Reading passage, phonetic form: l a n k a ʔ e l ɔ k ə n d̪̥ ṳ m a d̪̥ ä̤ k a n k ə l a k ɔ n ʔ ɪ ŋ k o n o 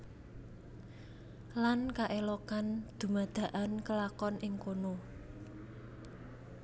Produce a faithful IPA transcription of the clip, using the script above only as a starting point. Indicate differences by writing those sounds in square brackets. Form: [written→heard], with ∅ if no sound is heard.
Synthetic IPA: l a n k a ʔ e l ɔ k [ə→a] n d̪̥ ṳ m a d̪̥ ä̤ [k→ʔ] a n k ə l a k ɔ n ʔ ɪ ŋ k o n o